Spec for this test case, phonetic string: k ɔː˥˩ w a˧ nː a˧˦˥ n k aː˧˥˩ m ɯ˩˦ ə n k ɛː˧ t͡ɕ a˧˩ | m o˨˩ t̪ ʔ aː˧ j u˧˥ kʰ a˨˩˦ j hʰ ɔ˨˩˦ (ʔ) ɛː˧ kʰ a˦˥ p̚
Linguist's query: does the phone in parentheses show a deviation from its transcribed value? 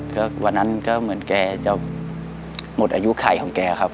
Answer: yes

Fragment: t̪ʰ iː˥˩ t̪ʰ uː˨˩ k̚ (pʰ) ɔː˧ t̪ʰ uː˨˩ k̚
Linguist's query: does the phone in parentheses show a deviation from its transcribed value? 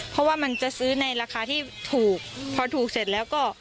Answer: no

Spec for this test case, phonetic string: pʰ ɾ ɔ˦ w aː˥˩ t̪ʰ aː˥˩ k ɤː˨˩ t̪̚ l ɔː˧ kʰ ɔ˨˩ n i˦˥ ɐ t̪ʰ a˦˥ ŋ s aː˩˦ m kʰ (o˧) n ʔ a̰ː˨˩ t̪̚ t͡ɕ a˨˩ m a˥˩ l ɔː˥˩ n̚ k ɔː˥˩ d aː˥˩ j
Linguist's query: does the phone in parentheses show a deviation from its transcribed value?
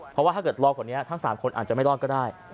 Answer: no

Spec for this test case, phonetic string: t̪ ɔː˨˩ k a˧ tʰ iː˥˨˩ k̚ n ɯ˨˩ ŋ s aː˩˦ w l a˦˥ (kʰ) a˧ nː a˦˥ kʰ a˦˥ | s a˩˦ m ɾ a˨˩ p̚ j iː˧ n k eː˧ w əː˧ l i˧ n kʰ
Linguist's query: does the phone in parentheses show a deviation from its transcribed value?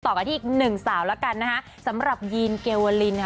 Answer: yes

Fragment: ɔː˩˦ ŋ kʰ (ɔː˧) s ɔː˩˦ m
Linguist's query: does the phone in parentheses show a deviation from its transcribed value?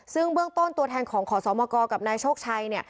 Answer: yes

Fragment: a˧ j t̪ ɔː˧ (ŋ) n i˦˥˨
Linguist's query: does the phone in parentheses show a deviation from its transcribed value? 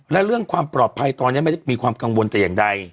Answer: yes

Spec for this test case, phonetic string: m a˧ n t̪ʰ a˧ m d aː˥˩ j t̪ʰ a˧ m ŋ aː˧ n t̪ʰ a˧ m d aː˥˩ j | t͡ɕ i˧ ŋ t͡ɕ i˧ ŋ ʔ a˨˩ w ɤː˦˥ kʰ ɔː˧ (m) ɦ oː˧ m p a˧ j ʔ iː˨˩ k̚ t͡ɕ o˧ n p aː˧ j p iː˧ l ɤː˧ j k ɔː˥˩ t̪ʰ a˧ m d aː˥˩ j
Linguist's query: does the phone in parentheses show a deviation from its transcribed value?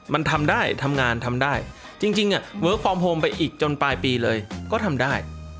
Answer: no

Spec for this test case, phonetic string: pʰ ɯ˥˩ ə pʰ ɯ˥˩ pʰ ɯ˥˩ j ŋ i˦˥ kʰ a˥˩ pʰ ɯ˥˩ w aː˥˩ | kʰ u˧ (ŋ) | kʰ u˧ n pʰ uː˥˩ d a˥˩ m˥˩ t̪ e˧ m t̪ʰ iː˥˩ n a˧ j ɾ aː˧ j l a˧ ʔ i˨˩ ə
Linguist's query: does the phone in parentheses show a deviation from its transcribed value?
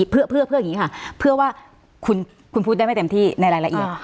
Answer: yes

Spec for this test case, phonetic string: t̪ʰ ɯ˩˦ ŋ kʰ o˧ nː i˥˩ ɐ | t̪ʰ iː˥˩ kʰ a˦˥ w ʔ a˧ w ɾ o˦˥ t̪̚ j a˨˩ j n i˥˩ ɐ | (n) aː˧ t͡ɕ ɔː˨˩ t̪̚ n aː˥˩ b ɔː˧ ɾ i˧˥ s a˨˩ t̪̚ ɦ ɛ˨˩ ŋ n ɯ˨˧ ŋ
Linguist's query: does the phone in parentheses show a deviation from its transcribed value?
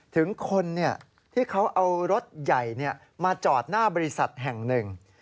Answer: yes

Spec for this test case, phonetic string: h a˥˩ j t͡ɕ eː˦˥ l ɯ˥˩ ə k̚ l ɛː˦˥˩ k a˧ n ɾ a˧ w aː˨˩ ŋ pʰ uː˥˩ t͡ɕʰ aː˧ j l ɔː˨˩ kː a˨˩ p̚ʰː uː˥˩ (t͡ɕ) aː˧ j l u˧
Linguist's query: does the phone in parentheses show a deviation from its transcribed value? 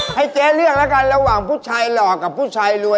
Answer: yes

